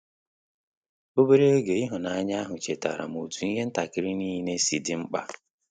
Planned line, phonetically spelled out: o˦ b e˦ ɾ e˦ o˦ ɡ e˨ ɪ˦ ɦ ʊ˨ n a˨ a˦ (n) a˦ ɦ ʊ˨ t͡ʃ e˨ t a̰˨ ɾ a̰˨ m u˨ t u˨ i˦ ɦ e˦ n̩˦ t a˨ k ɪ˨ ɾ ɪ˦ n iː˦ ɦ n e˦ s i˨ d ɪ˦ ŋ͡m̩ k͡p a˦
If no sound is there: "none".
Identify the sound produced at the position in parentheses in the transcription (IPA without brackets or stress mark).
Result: ɲ